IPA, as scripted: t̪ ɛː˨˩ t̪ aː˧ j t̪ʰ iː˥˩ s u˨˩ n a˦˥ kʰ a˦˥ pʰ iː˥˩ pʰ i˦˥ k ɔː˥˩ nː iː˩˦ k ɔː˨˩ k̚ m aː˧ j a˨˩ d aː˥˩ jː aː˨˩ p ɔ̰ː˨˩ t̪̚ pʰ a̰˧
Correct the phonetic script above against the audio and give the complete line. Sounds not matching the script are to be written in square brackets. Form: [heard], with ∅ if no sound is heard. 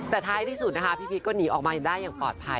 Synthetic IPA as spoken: t̪ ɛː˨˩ [t̪ʰ] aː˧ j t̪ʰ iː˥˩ s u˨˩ n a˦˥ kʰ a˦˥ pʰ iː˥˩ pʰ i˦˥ k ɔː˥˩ [n] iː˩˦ [ʔ] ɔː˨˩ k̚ m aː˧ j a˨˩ d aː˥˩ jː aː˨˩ p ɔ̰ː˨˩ t̪̚ pʰ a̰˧